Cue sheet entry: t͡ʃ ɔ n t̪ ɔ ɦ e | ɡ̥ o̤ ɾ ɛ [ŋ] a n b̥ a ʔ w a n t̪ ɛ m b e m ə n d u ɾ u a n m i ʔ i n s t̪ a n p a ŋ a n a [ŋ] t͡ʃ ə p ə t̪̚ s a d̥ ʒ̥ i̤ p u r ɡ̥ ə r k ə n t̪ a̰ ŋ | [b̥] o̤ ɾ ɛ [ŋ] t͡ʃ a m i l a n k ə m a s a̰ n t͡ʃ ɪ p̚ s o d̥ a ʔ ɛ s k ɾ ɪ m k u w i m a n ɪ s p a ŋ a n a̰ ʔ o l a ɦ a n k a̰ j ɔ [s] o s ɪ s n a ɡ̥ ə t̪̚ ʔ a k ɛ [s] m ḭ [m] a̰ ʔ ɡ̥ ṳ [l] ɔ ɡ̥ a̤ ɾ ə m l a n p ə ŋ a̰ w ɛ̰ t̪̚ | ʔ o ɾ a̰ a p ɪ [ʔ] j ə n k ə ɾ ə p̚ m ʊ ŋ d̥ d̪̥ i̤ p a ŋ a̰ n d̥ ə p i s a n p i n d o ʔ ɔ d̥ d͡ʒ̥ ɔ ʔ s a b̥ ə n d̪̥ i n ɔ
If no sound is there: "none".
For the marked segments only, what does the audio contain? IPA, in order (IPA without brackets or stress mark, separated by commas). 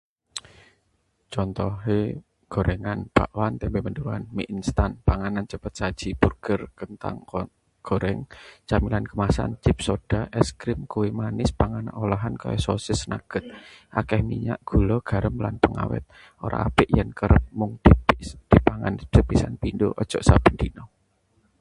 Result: ŋ, n, ɡ̥, ŋ, s, h, ɲ, l, ʔ